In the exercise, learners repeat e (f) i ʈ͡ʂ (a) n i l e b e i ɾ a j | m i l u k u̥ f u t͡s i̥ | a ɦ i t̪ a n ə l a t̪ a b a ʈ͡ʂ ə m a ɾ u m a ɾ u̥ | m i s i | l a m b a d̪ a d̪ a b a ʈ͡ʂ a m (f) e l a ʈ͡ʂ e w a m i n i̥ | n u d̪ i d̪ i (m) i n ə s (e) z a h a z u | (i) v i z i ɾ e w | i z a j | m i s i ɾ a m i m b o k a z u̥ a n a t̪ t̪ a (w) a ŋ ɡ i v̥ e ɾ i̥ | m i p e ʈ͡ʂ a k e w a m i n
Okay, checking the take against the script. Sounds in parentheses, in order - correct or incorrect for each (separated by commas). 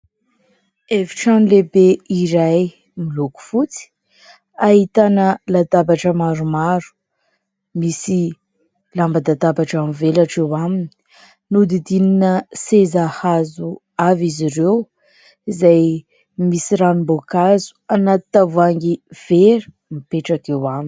incorrect, correct, incorrect, incorrect, correct, incorrect, incorrect